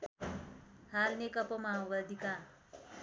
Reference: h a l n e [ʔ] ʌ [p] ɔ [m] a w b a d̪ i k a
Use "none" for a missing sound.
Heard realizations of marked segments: k, p, m

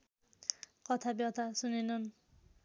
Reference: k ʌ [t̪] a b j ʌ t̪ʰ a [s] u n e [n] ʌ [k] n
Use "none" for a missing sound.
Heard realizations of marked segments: t̪ʰ, s, n, none

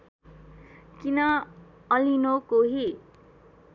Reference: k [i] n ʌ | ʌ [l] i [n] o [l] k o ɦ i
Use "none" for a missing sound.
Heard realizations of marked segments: i, l, n, none

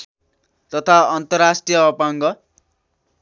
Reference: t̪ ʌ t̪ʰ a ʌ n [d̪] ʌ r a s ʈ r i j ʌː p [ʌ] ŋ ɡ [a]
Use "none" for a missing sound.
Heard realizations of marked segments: t̪, a, ʌ

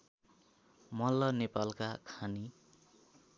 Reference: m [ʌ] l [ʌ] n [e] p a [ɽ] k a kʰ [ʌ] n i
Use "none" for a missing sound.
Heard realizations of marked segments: ʌ, ʌ, e, l, a

